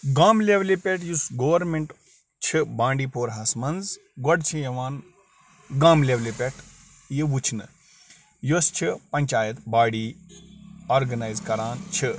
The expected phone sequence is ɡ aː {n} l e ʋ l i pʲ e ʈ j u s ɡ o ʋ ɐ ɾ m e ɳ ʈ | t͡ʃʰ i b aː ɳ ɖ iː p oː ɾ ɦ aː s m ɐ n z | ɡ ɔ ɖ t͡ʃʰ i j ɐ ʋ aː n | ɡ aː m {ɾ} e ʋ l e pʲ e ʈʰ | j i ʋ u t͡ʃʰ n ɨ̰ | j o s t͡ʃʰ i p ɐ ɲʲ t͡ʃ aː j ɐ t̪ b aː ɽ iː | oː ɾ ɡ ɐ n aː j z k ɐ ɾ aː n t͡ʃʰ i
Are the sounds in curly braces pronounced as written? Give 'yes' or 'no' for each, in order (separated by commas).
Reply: no, no